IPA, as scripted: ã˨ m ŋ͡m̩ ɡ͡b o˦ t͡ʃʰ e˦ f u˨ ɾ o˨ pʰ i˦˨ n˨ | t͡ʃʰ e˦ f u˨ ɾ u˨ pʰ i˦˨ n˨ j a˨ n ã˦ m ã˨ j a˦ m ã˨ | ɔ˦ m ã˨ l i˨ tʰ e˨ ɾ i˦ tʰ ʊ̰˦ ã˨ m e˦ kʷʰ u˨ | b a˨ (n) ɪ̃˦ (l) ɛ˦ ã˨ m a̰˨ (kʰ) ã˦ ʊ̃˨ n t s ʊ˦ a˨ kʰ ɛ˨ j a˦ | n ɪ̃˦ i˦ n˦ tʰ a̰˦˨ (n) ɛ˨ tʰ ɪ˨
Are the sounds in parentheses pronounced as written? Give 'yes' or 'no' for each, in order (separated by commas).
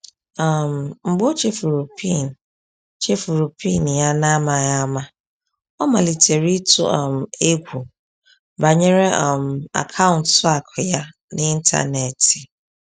no, no, yes, yes